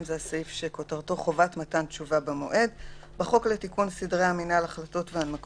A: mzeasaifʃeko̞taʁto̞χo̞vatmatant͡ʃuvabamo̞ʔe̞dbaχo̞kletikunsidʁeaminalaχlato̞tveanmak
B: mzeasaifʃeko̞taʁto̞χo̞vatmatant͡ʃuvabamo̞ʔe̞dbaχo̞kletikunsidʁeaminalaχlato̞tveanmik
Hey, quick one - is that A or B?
A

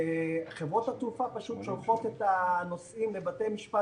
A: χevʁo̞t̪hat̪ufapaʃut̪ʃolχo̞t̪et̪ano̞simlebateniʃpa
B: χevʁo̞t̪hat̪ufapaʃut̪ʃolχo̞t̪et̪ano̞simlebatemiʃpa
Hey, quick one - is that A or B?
B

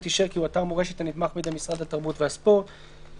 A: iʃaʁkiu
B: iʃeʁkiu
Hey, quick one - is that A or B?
B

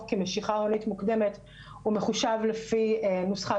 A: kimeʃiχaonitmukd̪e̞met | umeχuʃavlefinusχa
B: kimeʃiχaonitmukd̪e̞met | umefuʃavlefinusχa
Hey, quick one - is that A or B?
A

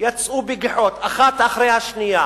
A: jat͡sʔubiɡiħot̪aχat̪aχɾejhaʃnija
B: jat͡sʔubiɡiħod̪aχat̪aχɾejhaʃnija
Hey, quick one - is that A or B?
A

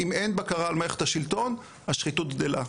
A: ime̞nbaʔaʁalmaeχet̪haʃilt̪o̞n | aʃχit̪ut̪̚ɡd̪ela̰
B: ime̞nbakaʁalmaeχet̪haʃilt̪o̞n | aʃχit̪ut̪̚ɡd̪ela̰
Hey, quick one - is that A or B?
B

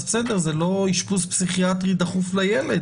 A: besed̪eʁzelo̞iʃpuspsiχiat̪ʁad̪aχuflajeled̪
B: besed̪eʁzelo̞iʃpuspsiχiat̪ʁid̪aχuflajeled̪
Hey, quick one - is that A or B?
B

